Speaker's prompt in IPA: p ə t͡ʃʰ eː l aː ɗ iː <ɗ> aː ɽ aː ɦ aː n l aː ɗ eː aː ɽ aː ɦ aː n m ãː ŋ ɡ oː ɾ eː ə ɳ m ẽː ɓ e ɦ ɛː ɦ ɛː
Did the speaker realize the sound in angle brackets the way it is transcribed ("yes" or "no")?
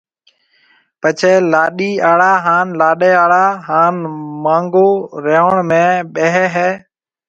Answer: no